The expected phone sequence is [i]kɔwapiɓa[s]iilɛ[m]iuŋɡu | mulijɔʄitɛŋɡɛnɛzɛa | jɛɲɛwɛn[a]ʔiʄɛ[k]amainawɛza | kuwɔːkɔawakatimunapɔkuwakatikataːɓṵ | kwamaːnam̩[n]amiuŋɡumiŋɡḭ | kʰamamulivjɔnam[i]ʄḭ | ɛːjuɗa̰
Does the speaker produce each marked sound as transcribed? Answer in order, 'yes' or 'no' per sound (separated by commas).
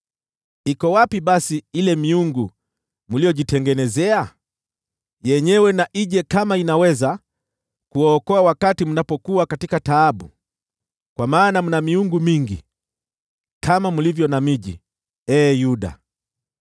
yes, yes, yes, yes, yes, yes, yes